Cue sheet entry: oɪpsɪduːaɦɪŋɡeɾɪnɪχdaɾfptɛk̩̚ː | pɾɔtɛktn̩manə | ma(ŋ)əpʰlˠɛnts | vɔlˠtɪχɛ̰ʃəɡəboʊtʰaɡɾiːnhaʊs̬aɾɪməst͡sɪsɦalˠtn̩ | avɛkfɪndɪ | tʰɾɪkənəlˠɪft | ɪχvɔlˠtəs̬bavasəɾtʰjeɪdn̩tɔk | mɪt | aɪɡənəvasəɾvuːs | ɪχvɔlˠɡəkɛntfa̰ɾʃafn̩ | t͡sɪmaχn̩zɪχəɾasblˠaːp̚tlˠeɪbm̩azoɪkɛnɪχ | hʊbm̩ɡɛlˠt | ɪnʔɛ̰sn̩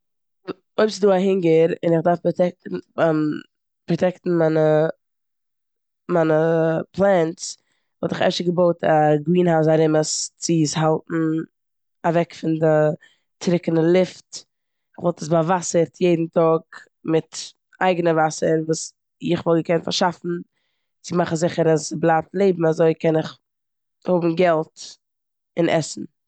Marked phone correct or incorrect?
incorrect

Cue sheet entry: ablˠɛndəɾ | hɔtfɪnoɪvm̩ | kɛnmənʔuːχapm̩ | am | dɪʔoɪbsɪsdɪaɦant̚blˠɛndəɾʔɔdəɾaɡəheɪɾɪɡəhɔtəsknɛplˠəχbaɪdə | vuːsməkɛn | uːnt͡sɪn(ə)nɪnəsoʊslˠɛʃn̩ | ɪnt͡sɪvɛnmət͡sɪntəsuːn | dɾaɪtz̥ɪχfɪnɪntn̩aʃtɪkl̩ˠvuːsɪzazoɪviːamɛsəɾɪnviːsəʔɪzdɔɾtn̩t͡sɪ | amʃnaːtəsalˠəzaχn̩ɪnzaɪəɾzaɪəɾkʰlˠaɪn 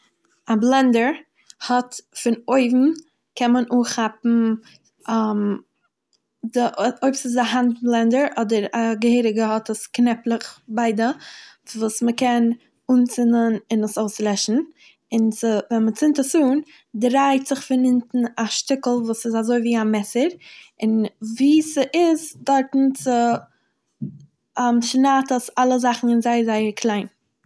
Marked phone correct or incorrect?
correct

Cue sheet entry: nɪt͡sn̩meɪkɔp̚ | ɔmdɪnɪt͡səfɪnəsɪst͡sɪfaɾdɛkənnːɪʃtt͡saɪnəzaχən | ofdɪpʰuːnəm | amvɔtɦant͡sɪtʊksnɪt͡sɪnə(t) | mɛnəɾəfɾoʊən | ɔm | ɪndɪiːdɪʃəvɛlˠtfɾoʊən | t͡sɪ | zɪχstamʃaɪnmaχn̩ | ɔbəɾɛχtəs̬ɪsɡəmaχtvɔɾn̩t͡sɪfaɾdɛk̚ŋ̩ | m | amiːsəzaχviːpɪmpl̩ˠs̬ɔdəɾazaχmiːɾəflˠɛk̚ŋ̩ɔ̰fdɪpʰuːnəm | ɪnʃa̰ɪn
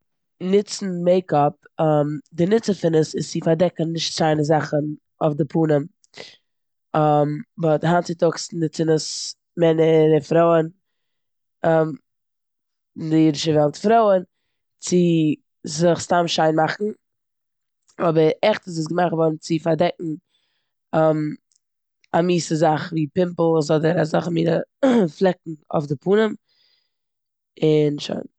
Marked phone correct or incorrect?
incorrect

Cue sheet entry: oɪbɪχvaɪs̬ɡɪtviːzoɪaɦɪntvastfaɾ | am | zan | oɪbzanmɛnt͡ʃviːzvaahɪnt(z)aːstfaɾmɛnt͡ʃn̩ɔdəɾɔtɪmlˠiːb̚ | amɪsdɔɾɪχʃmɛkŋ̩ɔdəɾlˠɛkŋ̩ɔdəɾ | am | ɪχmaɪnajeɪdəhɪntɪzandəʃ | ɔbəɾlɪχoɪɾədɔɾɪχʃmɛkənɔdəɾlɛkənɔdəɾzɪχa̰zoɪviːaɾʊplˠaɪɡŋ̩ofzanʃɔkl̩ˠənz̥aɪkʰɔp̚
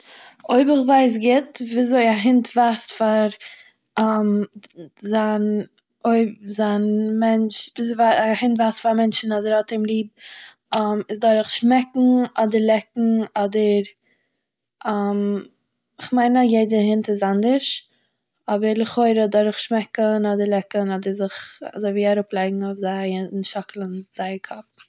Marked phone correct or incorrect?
incorrect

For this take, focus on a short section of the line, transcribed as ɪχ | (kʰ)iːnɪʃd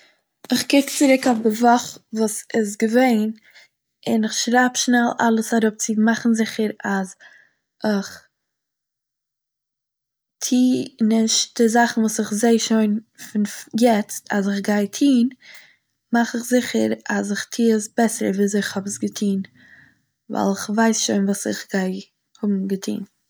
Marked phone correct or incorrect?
incorrect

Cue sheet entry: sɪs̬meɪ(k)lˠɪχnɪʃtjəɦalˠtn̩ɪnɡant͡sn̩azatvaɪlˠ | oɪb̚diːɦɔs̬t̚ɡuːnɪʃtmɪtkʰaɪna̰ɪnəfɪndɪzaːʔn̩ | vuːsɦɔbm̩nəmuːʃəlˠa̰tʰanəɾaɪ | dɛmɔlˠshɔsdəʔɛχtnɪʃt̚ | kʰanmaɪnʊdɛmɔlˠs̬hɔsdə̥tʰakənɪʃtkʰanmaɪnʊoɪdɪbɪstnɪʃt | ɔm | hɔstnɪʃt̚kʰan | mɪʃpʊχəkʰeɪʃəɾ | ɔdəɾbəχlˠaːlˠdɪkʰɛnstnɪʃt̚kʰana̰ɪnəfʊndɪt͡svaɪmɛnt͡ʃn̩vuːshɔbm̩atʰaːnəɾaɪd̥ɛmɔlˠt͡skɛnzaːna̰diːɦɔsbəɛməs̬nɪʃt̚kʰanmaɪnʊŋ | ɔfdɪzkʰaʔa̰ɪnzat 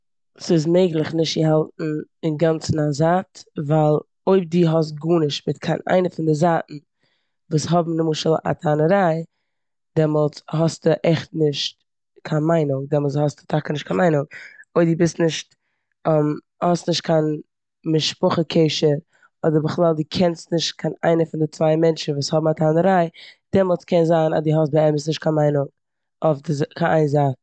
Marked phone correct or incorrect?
incorrect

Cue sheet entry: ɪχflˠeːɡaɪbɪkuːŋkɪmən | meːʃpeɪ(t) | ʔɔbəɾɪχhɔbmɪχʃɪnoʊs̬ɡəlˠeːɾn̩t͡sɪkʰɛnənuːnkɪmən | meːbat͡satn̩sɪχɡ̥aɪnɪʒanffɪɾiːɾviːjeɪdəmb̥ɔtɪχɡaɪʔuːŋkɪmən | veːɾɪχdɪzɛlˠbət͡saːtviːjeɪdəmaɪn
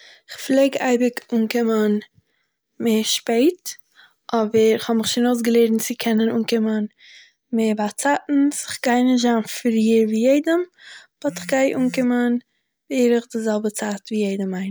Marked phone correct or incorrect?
correct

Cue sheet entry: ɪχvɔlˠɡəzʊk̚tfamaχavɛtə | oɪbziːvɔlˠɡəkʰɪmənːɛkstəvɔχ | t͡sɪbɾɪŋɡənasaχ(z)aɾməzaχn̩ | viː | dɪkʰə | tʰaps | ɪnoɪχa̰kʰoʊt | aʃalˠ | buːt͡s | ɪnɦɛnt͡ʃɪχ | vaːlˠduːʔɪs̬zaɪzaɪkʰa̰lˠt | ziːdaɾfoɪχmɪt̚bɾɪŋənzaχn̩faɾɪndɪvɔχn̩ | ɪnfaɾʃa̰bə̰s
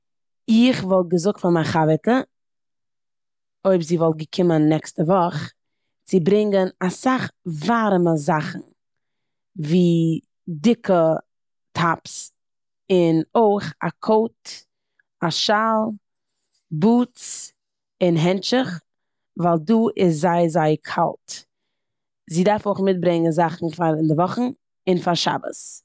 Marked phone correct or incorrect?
incorrect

